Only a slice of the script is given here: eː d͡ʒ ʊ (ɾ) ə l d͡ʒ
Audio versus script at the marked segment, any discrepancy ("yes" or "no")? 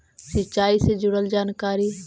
yes